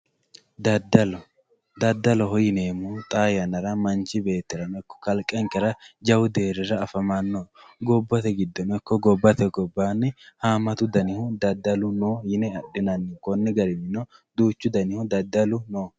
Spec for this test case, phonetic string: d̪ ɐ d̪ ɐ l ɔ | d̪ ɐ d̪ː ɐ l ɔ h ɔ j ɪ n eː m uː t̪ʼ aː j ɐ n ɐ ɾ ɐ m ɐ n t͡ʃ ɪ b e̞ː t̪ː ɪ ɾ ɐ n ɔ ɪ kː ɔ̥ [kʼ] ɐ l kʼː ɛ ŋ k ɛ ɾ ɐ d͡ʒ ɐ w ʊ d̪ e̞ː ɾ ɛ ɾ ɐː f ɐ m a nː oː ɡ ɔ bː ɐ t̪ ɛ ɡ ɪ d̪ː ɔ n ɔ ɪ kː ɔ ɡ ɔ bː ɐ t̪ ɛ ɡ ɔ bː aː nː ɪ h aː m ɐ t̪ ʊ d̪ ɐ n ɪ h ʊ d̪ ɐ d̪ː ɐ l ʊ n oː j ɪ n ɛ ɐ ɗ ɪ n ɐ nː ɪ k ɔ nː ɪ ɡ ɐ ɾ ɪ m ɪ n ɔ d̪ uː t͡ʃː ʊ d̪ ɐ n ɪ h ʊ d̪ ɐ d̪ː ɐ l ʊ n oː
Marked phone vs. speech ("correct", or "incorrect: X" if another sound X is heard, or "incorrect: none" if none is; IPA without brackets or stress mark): incorrect: k